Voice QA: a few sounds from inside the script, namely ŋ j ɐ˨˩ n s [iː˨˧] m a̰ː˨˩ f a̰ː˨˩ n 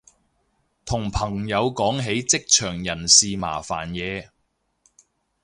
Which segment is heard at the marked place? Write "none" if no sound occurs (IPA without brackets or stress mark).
iː˨˧